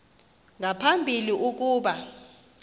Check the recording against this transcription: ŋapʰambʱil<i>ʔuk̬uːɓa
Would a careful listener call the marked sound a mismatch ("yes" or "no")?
no